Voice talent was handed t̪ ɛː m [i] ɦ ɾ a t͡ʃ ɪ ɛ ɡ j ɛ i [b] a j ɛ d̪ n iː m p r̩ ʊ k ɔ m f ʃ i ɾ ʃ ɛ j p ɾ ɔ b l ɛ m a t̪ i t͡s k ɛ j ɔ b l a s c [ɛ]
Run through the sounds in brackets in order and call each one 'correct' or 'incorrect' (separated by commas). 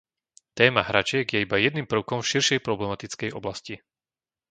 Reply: incorrect, correct, incorrect